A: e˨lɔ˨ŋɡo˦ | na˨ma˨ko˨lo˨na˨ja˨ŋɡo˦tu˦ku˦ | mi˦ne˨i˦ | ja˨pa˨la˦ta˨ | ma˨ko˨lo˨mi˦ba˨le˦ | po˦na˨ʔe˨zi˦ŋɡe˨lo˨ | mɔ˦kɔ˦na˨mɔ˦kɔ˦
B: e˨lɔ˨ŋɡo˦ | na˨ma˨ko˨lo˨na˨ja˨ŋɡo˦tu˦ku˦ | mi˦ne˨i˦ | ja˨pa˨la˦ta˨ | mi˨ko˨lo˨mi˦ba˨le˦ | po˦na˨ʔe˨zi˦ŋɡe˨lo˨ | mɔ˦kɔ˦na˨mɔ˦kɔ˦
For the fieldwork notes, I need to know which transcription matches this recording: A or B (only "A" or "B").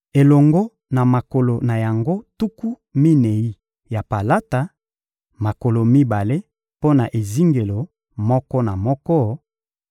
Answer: A